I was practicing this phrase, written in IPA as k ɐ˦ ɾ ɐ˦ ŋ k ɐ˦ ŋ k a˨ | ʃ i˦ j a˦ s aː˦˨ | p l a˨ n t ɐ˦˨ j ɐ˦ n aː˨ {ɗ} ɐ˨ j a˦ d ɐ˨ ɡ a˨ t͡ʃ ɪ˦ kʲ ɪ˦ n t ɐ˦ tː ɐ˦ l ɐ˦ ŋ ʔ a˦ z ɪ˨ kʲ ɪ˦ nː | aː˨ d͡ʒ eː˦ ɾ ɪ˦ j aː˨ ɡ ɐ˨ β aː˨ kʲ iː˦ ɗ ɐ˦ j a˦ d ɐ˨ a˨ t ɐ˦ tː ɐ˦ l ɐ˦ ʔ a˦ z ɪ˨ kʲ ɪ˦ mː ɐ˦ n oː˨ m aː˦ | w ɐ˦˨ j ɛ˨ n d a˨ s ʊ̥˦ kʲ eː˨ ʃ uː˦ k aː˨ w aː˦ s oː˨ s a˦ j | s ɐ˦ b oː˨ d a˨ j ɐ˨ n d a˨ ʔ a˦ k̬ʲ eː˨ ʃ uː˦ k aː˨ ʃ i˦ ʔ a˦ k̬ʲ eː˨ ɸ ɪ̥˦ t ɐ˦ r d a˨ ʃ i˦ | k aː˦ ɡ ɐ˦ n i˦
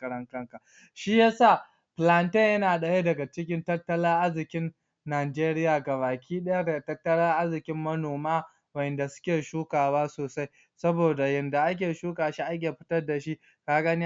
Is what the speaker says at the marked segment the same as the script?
yes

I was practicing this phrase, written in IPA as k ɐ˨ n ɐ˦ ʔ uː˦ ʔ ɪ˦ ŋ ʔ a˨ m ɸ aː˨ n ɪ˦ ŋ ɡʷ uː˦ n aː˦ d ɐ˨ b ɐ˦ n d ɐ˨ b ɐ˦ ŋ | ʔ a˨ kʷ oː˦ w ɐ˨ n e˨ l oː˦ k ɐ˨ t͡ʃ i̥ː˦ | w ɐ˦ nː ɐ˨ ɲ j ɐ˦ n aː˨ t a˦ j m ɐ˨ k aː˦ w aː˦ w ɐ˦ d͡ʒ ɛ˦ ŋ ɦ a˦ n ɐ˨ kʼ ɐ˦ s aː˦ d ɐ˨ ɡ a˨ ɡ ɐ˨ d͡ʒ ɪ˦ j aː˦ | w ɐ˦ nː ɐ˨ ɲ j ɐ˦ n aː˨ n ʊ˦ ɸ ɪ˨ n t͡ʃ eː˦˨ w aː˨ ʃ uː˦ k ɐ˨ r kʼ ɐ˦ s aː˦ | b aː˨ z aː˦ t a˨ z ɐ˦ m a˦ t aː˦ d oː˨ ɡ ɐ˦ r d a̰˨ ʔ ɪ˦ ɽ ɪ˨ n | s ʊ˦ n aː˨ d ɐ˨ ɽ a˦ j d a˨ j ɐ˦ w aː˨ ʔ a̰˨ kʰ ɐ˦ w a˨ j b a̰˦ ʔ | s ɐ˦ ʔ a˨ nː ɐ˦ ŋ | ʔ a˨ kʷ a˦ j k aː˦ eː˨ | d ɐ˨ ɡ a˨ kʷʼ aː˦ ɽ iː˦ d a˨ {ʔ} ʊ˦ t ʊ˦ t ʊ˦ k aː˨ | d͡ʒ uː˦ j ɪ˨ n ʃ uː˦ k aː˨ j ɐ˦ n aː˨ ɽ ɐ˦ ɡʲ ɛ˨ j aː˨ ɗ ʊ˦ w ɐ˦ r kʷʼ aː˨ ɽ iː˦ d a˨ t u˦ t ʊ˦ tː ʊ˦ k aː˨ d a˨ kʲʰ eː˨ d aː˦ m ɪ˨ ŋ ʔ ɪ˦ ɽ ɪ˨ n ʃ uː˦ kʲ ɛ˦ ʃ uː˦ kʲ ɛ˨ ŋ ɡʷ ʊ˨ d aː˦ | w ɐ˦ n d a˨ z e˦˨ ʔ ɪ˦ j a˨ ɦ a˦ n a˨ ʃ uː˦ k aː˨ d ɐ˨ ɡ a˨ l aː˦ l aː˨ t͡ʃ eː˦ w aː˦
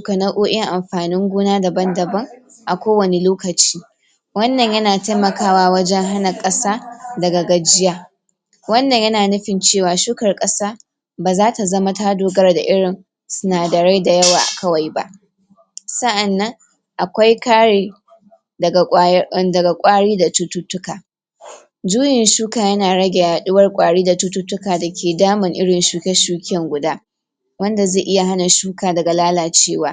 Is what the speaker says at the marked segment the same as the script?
no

